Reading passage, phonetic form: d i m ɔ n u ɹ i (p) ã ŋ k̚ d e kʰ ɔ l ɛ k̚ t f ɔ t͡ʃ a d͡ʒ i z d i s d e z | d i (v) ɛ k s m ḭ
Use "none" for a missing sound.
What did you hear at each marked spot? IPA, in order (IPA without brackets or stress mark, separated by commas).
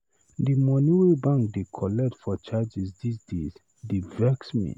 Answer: b, v